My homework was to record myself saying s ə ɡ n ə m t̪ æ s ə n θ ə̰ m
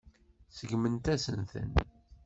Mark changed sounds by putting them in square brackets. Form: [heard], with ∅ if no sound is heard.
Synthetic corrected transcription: s ə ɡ [m] ə [n] t̪ æ s ə n θ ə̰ [n]